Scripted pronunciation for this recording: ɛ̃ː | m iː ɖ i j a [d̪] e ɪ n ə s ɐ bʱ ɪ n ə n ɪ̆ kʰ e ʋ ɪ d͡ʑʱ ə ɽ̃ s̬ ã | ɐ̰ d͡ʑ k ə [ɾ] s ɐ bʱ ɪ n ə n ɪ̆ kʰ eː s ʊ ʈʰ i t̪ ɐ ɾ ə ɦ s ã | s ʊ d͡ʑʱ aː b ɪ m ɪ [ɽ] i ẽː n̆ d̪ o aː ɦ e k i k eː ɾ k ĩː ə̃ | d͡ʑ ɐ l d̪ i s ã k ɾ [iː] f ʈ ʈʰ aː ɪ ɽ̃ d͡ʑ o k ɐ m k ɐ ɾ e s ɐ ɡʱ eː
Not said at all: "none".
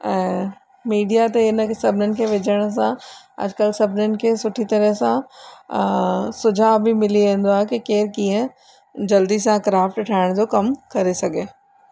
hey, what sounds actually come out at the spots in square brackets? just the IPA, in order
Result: t̪, l, l, aː

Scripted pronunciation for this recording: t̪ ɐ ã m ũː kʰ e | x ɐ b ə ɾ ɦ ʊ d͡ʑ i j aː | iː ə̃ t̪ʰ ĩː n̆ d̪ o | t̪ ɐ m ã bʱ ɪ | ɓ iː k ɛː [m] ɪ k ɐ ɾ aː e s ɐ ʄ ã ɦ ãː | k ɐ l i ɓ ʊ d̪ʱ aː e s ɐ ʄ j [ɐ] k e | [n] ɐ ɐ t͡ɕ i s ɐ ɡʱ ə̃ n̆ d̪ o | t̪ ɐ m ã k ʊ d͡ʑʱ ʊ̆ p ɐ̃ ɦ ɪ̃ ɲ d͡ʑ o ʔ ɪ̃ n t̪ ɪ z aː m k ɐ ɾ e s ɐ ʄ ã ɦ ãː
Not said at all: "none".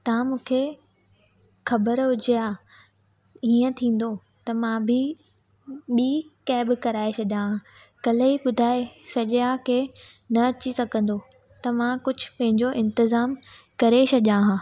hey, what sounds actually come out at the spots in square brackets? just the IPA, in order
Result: b, a, n

